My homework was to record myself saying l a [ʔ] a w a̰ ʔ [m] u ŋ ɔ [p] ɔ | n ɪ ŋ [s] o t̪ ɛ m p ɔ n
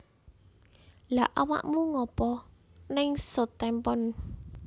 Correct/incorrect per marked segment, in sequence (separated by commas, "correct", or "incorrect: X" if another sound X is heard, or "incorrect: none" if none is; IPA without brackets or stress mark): correct, correct, correct, correct